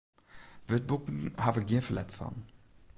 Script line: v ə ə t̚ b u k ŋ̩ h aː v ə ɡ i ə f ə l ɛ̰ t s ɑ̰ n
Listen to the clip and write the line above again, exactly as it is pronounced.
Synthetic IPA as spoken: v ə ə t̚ b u k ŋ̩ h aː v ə ɡ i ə f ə l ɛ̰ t f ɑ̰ n